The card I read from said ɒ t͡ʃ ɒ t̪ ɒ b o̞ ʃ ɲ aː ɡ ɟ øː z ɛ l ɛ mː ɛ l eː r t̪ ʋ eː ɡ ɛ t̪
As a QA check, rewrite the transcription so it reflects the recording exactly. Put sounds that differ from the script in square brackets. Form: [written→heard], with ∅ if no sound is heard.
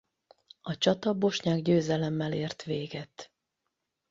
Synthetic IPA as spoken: ɒ t͡ʃ ɒ t̪ ɒ b o̞ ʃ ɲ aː ɡ ɟ øː z ɛ l ɛ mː ɛ l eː r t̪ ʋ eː ɡ ɛ t̪